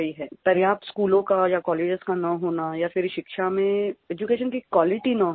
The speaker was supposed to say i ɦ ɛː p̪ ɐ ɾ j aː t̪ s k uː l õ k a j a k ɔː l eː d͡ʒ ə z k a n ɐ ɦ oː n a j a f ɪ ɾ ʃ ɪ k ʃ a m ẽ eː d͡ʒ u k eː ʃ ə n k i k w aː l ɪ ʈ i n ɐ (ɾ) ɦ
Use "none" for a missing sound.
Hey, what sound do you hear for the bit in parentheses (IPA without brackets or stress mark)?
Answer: none